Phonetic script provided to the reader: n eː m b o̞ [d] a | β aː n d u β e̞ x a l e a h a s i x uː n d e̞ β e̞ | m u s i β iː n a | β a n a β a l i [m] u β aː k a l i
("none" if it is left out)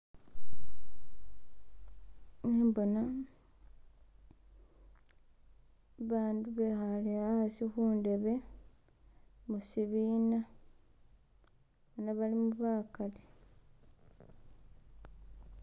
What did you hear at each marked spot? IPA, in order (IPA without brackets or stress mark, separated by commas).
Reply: n, m